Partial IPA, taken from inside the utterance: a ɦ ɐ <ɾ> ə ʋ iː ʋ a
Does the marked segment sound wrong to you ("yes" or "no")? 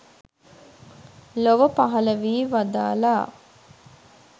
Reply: yes